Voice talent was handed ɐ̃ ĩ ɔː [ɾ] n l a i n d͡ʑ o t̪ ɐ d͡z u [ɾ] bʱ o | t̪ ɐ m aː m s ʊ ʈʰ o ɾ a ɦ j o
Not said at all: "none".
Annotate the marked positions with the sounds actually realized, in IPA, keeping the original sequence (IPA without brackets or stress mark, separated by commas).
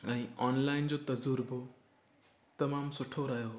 none, ɾ